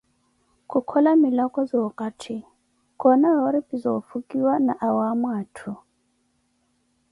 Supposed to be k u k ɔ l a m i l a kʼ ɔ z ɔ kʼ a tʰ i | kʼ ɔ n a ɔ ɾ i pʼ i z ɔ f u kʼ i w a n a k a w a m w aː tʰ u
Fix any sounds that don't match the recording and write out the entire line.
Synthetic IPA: k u kʰ ɔ l a m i l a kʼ ɔ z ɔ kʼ a tʰ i | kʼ ɔ n a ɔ ɾ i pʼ i z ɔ f u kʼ i w a n a ʔ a w a m w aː tʰ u

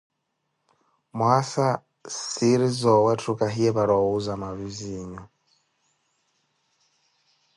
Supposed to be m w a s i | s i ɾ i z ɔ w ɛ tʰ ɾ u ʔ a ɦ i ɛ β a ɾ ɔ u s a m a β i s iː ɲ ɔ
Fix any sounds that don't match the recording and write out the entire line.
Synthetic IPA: m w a s a | s i ɾ i z ɔ w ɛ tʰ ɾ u k a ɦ i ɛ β a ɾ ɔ u z a m a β i z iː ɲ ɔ

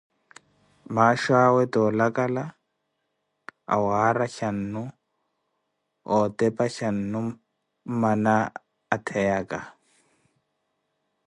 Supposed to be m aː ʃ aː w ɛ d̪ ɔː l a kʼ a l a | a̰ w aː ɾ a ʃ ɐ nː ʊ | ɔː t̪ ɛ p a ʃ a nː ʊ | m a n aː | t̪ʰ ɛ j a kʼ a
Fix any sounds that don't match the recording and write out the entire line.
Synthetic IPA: m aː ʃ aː w ɛ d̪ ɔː l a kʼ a l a | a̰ w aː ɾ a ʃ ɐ nː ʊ | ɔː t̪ ɛ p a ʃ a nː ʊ | m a n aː | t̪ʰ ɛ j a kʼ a

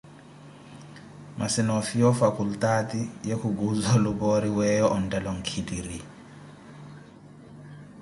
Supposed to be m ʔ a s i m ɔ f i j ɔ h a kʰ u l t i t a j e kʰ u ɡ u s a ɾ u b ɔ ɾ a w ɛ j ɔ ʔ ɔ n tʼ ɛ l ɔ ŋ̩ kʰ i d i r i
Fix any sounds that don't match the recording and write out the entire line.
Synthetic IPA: m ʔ a s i n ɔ f i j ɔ f a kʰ u l t a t i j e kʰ u ɡ u z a l u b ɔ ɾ i w ɛ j ɔ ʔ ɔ n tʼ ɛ l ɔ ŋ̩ kʰ i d i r i

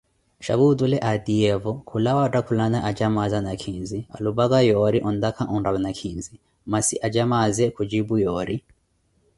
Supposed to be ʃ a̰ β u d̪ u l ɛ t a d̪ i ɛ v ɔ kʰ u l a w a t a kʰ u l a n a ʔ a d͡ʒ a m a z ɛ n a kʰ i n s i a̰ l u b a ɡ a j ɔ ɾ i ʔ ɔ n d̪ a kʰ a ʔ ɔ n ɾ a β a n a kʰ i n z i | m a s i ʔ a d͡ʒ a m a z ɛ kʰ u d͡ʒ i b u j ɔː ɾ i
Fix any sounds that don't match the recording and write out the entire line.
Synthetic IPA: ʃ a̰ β u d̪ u l ɛ ʔ a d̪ i ɛ v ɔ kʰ u l a w a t a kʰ u l a n a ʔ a d͡ʒ a m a z a n a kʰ i n z i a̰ l u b a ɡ a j ɔ ɾ i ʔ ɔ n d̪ a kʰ a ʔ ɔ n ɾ a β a n a kʰ i n z i | m a s i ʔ a d͡ʒ a m a z ɛ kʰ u d͡ʒ i b u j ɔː ɾ i

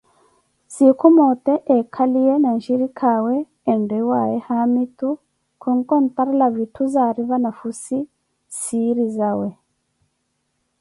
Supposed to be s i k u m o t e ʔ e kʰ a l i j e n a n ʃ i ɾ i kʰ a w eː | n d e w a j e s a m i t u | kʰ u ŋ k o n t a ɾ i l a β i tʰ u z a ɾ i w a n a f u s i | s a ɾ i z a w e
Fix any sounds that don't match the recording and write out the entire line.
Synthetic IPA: s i k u m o t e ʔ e kʰ a l i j e n a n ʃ i ɾ i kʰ a w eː | n d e w a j e h a m i t u | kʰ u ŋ k o n t a ɾ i l a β i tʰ u z a ɾ i β a n a f u s i | s i ɾ i z a w e

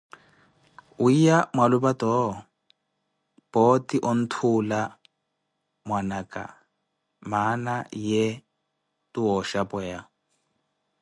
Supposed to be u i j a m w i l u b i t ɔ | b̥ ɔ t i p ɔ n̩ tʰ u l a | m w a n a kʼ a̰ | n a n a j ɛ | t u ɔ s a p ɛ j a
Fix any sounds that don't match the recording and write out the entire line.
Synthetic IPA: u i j a m w a l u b a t ɔ | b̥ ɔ t i ʔ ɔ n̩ tʰ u l a | m w a n a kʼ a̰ | m a n a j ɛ | t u ɔ ʃ a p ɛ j a

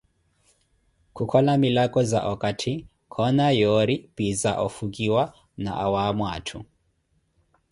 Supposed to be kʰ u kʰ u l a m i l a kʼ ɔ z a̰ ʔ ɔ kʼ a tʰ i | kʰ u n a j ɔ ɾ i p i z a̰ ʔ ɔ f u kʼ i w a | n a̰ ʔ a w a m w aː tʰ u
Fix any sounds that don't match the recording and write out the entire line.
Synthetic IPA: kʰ u kʰ ɔ l a m i l a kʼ ɔ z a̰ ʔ ɔ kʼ a tʰ i | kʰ ɔ n a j ɔ ɾ i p i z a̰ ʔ ɔ f u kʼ i w a | n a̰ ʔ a w a m w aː tʰ u

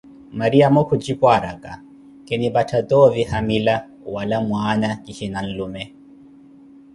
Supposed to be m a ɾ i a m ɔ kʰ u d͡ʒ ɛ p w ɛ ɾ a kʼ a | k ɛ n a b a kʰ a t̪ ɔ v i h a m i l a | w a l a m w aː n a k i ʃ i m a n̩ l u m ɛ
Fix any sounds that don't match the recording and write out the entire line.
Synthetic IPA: m a ɾ i a m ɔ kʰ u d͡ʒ i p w a ɾ a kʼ a | k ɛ n i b a tʰ a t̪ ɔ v i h a m i l a | w a l a m w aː n a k i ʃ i n a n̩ l u m ɛ

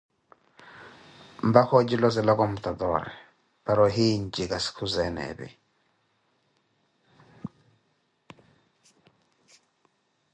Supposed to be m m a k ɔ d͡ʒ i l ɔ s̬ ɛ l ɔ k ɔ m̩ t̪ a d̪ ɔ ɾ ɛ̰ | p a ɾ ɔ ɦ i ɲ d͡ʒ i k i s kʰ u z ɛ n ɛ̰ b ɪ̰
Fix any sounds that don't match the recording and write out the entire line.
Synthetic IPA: m b a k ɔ d͡ʒ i l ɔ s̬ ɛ l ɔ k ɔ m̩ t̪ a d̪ ɔ ɾ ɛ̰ | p a ɾ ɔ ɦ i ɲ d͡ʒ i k a s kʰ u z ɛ n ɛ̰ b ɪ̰

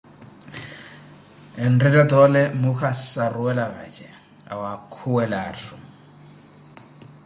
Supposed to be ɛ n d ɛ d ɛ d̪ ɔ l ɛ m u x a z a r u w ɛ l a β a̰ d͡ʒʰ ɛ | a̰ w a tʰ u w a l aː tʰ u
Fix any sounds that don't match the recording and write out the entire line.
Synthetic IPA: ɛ n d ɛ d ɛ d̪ ɔ l ɛ m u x a s a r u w ɛ l a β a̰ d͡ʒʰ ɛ | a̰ w a kʰ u w ɛ l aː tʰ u

